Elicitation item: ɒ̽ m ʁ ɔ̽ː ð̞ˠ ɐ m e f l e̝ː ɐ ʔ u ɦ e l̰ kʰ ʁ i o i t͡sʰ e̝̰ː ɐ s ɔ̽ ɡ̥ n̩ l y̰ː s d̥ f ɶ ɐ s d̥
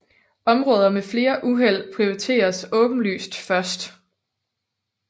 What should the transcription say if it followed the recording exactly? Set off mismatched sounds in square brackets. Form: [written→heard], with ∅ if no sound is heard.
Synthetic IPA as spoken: ɒ̽ m ʁ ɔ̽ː ð̞ˠ ɐ m e f l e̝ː ɐ ʔ u ɦ e l̰ [kʰ→pʰ] ʁ i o i t͡sʰ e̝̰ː ɐ s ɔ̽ [ɡ̥→b̥] n̩ l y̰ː s d̥ f ɶ ɐ s d̥